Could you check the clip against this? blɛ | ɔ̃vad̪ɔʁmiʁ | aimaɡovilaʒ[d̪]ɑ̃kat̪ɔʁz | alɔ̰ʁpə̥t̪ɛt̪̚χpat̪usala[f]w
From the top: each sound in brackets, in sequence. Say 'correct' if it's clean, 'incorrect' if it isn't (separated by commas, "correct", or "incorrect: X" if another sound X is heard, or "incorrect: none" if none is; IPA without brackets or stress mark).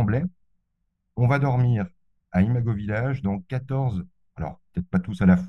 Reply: correct, correct